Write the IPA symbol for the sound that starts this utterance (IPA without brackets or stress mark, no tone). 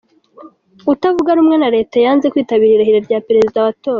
u